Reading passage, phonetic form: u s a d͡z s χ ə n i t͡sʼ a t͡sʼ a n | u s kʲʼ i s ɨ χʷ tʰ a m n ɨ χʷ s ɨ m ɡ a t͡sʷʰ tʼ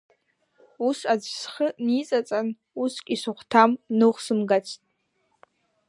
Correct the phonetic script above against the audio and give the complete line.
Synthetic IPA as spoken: u s a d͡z s χ ə n i t͡sʼ a t͡sʼ a n | u s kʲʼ i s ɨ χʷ tʰ a m n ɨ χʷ s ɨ m ɡ a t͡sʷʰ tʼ